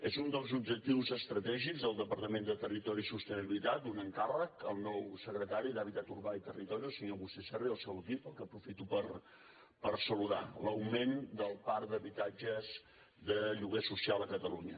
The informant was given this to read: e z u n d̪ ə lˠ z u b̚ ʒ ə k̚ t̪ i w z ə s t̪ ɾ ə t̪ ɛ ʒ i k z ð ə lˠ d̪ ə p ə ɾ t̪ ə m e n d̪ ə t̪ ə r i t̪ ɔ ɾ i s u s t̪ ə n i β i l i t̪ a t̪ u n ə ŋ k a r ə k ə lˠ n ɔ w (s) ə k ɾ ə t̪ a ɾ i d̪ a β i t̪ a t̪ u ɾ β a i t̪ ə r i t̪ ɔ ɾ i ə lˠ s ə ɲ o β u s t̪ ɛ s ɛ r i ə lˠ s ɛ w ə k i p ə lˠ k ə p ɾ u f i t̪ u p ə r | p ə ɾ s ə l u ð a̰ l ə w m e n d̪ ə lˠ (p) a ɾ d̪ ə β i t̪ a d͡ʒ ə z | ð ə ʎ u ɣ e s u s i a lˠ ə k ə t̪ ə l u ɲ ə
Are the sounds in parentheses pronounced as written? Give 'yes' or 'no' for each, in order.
yes, yes

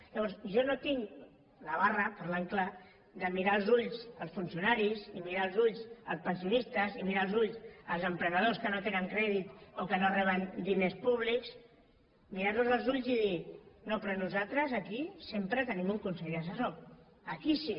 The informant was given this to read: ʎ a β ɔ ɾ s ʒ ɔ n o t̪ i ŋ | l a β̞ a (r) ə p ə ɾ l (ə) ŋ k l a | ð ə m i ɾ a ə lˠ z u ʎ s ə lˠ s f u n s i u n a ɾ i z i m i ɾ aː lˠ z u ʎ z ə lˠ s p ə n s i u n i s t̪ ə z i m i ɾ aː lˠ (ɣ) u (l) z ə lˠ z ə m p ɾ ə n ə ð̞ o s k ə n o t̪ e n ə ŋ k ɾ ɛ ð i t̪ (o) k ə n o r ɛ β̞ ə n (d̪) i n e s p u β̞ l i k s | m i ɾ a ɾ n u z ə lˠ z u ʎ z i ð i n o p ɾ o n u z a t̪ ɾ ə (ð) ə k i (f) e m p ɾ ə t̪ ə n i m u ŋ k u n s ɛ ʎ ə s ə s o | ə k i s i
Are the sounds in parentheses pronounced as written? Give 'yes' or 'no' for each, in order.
yes, no, no, no, yes, yes, no, no

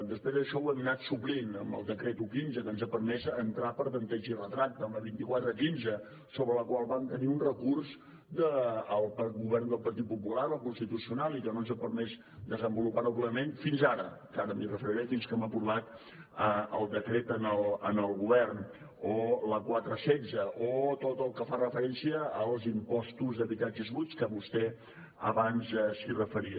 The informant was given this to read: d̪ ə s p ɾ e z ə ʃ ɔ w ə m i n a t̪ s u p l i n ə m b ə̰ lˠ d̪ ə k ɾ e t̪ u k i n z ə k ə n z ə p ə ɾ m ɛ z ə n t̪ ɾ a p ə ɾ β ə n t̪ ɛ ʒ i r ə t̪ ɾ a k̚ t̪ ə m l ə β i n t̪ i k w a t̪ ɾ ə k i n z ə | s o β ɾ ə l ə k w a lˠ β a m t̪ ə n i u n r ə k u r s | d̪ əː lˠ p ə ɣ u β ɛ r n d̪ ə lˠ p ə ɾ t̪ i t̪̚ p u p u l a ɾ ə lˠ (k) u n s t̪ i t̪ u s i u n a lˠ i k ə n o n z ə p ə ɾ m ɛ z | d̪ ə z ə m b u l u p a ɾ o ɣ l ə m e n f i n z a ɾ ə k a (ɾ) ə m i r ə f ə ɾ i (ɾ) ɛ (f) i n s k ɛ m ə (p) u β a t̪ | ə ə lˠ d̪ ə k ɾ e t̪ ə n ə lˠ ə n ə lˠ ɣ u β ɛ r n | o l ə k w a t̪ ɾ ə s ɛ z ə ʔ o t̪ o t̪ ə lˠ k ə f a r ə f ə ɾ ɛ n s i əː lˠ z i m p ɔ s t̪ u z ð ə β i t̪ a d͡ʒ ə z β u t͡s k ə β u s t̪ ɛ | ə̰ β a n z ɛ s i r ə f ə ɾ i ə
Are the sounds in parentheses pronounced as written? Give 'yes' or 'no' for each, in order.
yes, yes, yes, yes, yes

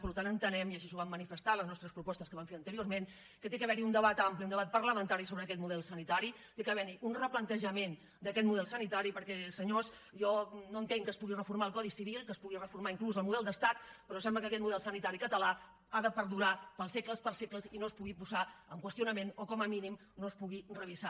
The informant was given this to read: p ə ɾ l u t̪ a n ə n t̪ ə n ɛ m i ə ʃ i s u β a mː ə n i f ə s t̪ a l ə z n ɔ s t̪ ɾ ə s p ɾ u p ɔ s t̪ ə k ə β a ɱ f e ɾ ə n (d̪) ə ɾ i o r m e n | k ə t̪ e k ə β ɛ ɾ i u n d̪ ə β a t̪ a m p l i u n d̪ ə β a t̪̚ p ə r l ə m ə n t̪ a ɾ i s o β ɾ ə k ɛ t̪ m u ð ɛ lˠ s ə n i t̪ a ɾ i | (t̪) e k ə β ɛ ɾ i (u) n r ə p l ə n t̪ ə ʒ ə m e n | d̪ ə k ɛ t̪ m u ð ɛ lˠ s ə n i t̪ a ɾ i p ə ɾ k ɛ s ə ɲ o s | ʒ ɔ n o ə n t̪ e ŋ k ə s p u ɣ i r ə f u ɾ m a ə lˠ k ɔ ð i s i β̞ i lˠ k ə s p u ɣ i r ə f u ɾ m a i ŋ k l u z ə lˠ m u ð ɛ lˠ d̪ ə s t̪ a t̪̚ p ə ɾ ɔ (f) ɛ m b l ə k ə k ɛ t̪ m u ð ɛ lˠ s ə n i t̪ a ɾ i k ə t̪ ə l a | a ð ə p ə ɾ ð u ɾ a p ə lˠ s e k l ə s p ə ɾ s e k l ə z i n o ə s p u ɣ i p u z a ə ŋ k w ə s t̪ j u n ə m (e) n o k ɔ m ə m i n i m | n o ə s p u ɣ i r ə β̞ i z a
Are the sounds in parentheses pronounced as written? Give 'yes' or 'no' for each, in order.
no, yes, yes, no, yes

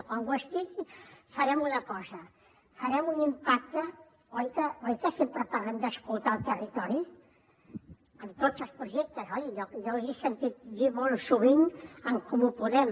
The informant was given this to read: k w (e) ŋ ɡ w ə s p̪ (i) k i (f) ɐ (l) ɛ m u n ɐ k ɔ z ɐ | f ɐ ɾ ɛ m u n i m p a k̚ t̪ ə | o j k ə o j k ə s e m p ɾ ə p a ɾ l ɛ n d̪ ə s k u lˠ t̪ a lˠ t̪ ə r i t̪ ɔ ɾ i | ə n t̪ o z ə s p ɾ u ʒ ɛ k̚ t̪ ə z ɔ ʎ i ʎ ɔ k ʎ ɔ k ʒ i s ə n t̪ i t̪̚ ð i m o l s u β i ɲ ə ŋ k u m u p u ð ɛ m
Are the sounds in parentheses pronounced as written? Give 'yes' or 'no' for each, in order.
no, yes, yes, no

